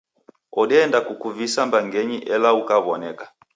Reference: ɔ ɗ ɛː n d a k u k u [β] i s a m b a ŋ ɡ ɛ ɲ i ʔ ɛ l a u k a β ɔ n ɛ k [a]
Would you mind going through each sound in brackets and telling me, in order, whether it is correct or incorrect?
incorrect, correct

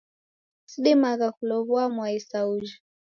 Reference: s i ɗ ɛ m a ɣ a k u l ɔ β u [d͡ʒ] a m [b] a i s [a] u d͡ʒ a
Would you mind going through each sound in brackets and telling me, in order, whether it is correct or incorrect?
incorrect, incorrect, correct

